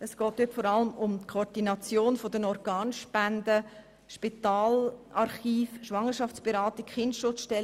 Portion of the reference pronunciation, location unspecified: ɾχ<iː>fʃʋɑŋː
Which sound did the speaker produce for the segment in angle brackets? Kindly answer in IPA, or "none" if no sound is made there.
iː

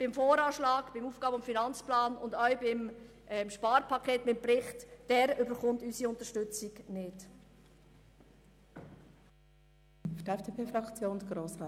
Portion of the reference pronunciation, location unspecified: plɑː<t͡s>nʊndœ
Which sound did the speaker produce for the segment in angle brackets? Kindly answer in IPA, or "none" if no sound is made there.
none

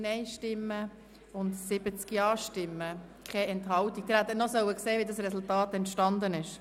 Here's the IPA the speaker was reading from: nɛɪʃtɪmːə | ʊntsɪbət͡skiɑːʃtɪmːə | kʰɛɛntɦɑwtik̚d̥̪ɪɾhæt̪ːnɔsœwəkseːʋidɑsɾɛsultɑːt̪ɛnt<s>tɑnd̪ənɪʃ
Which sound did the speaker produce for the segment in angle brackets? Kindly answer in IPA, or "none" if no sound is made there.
ʃ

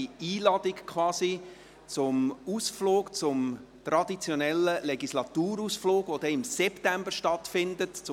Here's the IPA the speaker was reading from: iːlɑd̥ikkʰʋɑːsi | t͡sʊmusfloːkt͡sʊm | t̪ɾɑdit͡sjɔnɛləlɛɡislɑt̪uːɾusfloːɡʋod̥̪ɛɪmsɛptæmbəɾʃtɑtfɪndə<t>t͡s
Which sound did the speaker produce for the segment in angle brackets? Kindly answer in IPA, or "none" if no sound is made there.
t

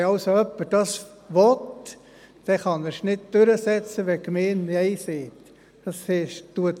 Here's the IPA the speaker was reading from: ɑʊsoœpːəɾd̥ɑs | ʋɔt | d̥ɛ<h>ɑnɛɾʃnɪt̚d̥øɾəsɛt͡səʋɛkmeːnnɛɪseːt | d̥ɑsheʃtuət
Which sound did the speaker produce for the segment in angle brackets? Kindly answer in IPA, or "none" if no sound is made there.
χ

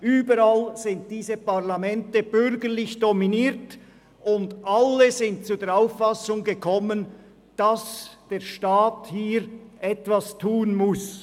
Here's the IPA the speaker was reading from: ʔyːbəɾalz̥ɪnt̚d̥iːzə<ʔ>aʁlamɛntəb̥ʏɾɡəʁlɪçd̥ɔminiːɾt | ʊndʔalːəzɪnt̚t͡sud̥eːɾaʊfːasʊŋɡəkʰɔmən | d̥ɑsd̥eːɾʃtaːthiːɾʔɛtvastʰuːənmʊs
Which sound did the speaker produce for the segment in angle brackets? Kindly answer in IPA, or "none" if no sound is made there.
p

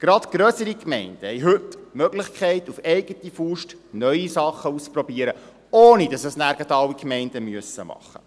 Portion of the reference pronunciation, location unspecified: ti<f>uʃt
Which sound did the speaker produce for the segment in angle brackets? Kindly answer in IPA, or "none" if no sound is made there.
f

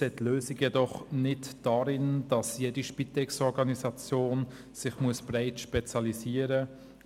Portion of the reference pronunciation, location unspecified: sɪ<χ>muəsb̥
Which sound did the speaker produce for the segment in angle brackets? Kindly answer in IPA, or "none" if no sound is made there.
χ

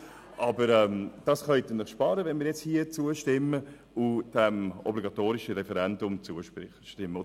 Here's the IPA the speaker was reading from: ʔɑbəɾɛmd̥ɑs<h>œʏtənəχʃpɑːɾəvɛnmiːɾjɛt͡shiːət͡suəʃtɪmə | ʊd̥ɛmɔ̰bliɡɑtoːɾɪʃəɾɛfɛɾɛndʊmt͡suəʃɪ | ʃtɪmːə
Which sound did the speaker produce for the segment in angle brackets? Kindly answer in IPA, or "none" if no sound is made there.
χ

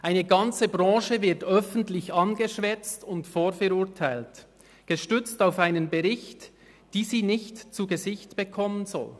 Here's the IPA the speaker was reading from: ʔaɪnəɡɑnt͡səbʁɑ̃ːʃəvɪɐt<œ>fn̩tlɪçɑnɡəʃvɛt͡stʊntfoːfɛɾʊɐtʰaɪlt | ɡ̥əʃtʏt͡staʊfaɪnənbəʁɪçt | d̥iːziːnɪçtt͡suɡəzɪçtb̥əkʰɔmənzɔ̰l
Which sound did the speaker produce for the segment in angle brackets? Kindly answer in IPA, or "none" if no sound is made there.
œ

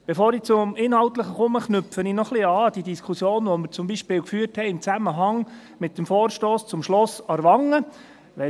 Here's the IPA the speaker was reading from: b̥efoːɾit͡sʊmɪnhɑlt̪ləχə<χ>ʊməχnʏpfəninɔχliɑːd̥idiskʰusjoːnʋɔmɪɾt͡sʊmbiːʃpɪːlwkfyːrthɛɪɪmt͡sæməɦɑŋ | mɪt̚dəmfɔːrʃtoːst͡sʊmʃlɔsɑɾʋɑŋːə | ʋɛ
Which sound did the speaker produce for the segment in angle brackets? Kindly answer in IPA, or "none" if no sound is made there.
χ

